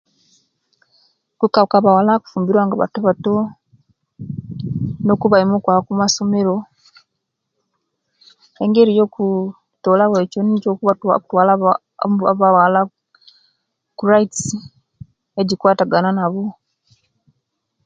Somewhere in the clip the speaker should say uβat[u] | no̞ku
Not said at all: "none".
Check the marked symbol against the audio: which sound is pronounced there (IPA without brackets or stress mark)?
o